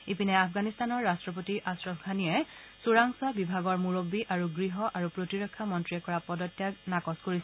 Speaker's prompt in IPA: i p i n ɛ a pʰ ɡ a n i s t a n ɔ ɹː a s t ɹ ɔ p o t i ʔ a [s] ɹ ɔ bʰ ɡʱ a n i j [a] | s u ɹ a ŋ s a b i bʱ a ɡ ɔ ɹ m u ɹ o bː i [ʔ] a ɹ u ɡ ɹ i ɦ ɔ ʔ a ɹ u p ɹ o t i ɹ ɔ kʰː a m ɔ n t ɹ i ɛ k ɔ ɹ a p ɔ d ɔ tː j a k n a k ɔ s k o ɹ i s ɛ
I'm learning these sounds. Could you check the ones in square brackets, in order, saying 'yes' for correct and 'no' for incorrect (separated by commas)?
yes, no, yes